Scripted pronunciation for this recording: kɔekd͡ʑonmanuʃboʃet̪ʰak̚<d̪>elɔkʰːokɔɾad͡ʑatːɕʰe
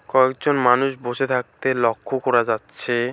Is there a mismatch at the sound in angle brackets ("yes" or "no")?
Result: yes